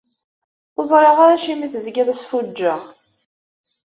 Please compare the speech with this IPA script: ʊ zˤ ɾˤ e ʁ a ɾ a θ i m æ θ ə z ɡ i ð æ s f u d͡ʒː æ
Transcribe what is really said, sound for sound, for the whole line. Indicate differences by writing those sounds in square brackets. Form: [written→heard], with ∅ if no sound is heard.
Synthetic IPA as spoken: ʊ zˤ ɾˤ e ʁ a ɾ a [θ→ʃ] i m [æ→i] θ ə z ɡ [i→æ] ð æ s f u d͡ʒː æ